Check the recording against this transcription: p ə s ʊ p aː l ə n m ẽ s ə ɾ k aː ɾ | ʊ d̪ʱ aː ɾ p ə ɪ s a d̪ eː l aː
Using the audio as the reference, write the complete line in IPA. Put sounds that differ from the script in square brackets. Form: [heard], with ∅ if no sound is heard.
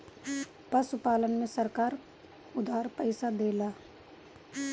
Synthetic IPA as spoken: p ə s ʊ p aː l ə n m ẽ s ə ɾ k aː ɾ | ʊ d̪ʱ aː ɾ p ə ɪ s a d̪ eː l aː

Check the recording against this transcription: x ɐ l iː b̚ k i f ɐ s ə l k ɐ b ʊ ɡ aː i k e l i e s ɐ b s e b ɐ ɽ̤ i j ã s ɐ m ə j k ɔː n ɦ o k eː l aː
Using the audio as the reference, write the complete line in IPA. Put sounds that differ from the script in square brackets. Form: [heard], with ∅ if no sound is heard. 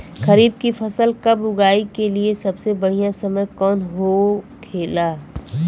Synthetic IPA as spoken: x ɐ [ɾ] iː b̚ k i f ɐ s ə l k ɐ b ʊ ɡ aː i k e l i e s ɐ b s e b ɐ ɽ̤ i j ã s ɐ m ə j k ɔː n ɦ o [kʰ] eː l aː

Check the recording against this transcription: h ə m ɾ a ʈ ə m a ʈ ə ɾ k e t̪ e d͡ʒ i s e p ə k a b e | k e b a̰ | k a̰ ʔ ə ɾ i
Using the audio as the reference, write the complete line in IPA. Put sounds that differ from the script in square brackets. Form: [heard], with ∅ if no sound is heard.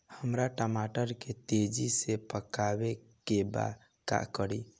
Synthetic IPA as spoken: h ə m ɾ a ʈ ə m a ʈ ə ɾ k e t̪ e d͡ʒ i s e p ə k a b e | k e b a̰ | k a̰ [k] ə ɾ i

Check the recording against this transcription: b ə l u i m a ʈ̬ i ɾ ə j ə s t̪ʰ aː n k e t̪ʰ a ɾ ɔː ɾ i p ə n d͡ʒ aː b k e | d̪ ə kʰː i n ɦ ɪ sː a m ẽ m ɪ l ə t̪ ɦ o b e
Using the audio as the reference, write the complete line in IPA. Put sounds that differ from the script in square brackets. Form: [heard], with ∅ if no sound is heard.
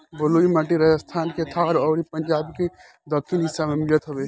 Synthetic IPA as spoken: b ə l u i m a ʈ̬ i ɾ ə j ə s t̪ʰ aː n k e t̪ʰ a ɾ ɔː ɾ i p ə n d͡ʒ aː b k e | d̪ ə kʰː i n ɦ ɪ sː a m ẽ m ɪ l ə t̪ ɦ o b e

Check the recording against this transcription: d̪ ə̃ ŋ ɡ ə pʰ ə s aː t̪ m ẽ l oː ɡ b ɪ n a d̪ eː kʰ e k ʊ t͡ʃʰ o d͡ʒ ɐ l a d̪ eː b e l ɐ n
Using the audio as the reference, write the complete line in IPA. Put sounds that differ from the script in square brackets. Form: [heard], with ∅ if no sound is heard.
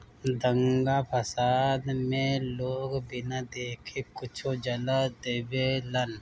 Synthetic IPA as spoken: d̪ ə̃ ŋ ɡ [a] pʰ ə s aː [d̪] m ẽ l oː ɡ b ɪ n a d̪ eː kʰ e k ʊ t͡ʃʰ o d͡ʒ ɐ l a d̪ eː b e l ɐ n

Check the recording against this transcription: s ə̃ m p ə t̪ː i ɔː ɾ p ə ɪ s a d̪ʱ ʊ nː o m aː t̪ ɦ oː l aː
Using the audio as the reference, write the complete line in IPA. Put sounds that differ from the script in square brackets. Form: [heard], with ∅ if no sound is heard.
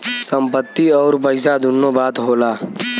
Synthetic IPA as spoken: s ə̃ m p ə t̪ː i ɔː ɾ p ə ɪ s a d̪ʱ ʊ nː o [b] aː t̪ ɦ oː l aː

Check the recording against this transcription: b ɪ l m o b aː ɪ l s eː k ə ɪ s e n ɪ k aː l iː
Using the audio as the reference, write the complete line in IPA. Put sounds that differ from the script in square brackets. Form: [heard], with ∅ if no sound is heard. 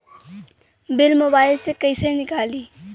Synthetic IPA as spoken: b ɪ l m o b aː ɪ l s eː k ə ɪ s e n ɪ k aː l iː

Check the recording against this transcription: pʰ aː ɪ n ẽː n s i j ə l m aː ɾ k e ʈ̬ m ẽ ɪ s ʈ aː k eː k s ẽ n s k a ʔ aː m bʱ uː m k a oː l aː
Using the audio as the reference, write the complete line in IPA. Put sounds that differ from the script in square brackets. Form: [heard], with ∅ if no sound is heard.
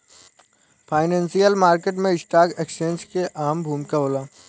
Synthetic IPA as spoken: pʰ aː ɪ n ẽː n s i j ə l m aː ɾ k e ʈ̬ m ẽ ɪ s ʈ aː k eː k s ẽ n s k [e] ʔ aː m bʱ uː m k a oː l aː

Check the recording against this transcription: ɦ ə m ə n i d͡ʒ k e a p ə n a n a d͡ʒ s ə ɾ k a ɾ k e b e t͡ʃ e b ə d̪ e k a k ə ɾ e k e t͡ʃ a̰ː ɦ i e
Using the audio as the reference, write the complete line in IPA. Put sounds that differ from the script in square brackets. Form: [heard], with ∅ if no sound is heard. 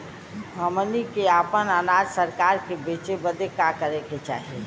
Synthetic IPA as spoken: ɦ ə m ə n i [∅] k e a p ə n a n a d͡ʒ s ə ɾ k a ɾ k e b e t͡ʃ e b ə d̪ e k a k ə ɾ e k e t͡ʃ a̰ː ɦ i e

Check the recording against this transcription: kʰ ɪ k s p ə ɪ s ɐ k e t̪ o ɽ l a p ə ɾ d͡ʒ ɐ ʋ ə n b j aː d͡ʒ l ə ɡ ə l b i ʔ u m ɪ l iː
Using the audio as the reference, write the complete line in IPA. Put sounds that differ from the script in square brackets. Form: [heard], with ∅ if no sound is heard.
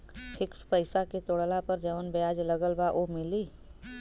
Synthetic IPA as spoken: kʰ ɪ k s p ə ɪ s [a] k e t̪ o ɽ l a p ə ɾ d͡ʒ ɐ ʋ ə n b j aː d͡ʒ l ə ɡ ə l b [a] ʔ [o] m ɪ l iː

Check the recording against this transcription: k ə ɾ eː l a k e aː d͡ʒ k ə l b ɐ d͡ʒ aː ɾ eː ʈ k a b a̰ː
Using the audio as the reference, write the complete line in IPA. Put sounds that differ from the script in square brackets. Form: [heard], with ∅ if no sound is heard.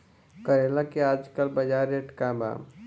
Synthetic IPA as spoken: k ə ɾ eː l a k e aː d͡ʒ k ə l b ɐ d͡ʒ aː ɾ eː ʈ k a b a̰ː

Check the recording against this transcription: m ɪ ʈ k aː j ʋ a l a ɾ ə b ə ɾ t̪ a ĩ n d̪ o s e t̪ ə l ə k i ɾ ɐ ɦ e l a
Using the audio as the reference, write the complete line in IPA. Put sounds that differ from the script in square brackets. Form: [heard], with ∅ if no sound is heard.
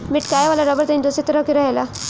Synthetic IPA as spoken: m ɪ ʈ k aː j ʋ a l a ɾ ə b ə ɾ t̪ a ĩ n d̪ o s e t̪ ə [ɾ] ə k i ɾ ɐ ɦ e l a

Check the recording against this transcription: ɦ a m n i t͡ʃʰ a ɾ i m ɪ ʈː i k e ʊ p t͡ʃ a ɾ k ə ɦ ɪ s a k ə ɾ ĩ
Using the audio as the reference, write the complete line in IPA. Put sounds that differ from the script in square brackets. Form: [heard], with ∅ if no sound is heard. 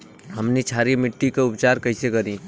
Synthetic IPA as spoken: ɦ [ə] m n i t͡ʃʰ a ɾ i m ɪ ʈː i k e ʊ p t͡ʃ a ɾ k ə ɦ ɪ s [e] k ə ɾ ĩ

